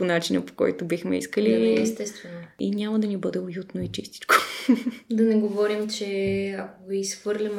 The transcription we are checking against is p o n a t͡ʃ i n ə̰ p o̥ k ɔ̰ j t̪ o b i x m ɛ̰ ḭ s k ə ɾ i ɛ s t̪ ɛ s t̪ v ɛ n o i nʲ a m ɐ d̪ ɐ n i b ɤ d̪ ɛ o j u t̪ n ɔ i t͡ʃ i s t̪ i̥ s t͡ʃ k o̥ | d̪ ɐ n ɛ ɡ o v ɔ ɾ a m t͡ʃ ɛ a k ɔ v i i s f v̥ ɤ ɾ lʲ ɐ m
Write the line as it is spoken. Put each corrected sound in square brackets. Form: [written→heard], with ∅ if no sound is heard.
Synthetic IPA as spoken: p o n a t͡ʃ i n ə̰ p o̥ k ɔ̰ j t̪ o b i x m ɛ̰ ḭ s k ə [ɾ→l] i ɛ s t̪ ɛ s t̪ v ɛ n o i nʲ a m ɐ d̪ ɐ n i b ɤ d̪ ɛ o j u t̪ n [ɔ→o] i t͡ʃ i s t̪ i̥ [s→∅] t͡ʃ k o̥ | d̪ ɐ n ɛ ɡ o v ɔ ɾ [a→i] m t͡ʃ ɛ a k [ɔ→o] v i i s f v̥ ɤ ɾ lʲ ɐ m